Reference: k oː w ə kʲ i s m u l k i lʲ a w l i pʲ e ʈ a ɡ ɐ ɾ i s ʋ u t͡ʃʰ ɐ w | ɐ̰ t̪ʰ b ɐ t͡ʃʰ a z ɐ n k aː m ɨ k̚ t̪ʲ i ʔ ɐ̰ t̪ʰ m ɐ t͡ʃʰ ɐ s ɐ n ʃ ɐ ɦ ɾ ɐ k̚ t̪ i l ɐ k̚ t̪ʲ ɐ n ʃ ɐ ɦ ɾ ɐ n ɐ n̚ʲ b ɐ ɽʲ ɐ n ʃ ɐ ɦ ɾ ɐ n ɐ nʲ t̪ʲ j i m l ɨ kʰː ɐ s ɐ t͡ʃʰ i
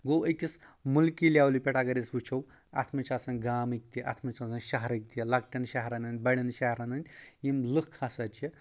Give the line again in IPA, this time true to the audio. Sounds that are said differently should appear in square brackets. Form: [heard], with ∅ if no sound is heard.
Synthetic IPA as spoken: [ɡ] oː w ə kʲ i s m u l k i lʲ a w l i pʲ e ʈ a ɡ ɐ ɾ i s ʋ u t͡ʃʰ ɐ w | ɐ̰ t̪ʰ [m] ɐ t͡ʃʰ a [s] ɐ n [ɡ] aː m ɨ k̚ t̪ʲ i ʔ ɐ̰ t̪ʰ m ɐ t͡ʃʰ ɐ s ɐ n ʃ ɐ ɦ ɾ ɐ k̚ t̪ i l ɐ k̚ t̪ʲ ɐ n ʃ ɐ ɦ ɾ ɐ n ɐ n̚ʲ b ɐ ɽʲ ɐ n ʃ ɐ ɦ ɾ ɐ n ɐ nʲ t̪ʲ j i m l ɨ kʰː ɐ s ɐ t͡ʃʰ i